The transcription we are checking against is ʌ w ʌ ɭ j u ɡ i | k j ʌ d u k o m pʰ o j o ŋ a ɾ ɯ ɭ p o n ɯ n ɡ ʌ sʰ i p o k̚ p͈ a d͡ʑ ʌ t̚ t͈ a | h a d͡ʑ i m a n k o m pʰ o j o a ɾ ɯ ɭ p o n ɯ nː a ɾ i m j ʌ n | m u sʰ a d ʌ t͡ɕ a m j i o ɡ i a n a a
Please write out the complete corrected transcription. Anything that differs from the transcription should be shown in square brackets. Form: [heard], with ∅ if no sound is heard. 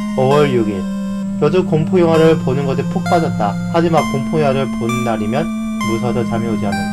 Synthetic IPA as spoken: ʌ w ʌ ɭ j u ɡ i | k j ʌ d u k o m pʰ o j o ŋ a ɾ ɯ ɭ p o n ɯ n ɡ ʌ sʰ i [pʰ] o k̚ p͈ a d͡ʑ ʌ t̚ t͈ a | h a d͡ʑ i m a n k o m pʰ o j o a ɾ ɯ ɭ p o n ɯ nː a ɾ i m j ʌ n | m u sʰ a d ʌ t͡ɕ a m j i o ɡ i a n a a